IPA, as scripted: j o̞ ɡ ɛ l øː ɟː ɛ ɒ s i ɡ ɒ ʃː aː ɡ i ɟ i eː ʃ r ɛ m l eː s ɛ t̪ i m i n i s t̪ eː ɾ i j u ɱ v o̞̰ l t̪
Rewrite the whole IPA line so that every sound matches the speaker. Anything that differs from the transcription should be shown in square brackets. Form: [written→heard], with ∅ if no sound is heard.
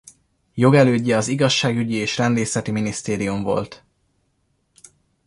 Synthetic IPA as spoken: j o̞ ɡ ɛ l øː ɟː ɛ ɒ [s→z] i ɡ ɒ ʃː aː ɡ [i→y] ɟ i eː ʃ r ɛ [m→n] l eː s ɛ t̪ i m i n i s t̪ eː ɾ i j u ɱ v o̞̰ l t̪